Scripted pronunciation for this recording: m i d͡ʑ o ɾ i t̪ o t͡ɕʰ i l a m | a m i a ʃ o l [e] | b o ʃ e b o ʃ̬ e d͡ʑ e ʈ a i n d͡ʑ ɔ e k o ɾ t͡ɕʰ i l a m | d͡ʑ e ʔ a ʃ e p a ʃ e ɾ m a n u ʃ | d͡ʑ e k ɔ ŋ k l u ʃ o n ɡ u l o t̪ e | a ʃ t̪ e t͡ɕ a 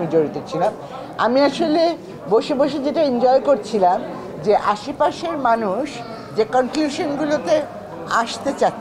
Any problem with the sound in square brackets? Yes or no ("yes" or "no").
no